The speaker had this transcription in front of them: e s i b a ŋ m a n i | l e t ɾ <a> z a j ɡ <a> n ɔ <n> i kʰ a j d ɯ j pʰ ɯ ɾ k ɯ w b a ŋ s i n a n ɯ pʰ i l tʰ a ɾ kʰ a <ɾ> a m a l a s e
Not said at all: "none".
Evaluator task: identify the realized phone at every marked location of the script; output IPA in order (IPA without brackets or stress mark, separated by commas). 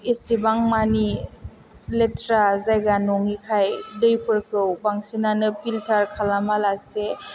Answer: a, a, ŋ, l